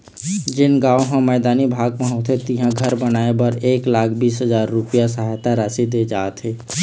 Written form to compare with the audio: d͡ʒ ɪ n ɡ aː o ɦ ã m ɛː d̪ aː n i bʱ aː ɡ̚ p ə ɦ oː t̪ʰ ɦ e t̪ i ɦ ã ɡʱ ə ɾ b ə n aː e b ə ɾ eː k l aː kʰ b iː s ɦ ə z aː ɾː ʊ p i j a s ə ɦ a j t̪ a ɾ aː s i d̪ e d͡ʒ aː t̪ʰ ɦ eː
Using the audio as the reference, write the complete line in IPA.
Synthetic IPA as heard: d͡ʒ ɪ n ɡ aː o ɦ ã m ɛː d̪ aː n i bʱ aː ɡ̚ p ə ɦ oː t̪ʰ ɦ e t̪ i ɦ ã ɡʱ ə ɾ b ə n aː e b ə ɾ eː k l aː kʰ b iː s ɦ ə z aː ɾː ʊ p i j a s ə ɦ a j t̪ a ɾ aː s i d̪ e d͡ʒ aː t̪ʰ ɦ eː